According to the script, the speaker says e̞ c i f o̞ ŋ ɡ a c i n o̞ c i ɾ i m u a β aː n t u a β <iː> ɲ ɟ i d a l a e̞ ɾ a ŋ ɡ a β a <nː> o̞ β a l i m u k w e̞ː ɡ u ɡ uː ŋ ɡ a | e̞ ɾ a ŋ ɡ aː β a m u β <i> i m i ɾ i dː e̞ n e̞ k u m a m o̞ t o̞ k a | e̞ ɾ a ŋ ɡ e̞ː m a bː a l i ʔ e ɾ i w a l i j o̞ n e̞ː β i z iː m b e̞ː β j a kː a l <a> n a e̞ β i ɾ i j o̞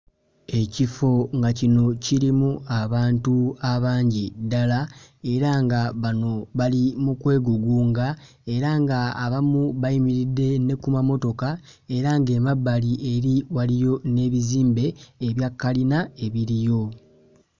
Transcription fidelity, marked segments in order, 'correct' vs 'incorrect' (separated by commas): incorrect, incorrect, incorrect, incorrect